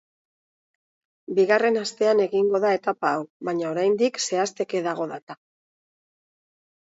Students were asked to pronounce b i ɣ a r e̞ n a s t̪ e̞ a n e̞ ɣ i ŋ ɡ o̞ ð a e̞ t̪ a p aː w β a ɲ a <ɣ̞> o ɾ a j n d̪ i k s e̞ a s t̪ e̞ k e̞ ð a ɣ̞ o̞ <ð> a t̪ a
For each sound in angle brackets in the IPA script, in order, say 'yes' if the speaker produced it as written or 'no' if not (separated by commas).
no, yes